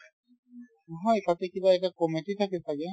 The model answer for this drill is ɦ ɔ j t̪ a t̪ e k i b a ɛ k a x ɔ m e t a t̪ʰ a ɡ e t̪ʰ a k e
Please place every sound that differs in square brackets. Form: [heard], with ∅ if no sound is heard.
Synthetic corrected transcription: ɦ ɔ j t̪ a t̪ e k i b a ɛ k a [k] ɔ m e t [i] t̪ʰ a [k] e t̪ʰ a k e